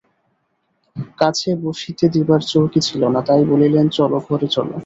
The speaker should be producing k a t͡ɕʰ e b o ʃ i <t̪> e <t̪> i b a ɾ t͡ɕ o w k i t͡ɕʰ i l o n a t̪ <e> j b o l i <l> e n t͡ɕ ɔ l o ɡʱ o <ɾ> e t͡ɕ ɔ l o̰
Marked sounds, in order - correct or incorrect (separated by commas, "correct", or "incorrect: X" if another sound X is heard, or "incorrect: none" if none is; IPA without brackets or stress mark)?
correct, incorrect: d̪, incorrect: a, correct, correct